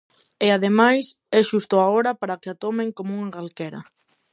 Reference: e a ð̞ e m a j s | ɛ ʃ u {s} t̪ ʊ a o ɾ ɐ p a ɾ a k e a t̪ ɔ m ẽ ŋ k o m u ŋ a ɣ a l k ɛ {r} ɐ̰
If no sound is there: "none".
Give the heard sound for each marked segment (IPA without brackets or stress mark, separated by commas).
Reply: s, ɾ